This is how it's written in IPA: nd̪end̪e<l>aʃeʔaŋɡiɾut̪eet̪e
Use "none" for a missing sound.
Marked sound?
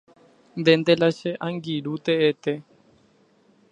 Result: l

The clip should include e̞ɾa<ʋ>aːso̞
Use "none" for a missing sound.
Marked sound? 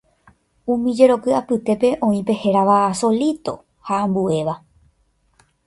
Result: ʋ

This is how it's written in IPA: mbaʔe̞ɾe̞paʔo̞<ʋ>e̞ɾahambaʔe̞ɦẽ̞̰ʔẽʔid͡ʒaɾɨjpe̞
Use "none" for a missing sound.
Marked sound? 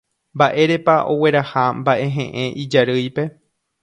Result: w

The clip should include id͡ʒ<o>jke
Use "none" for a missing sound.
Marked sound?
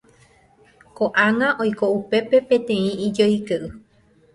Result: o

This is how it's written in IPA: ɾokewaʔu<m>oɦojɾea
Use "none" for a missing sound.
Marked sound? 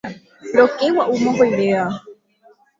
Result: m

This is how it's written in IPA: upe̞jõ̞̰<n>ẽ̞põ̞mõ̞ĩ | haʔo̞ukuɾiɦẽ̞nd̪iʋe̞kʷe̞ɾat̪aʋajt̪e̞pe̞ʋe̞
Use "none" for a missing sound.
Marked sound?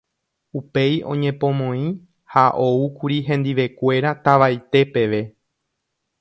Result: ɲ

